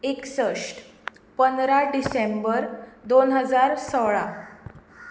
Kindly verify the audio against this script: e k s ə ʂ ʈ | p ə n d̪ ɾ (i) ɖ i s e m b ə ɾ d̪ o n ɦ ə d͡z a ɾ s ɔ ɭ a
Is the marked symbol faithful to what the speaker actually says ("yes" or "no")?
no